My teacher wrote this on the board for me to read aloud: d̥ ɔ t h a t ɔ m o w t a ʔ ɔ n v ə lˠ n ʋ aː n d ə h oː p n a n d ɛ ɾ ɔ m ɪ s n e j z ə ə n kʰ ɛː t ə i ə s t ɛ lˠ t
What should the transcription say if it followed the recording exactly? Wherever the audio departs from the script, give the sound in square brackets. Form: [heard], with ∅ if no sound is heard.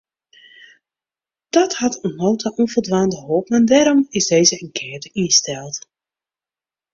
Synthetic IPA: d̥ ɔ t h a t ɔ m o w t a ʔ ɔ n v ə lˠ [d] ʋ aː n d ə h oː p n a n d ɛ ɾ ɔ m ɪ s [d] e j z ə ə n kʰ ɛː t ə i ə s t ɛ lˠ t